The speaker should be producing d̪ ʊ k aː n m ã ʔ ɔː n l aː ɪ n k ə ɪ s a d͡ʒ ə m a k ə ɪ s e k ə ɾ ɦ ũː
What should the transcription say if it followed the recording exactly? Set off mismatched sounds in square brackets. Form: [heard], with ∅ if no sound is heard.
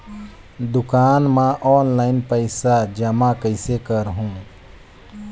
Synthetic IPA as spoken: d̪ ʊ k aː n m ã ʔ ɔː n l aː ɪ n [p] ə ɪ s a d͡ʒ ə m a k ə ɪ s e k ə ɾ ɦ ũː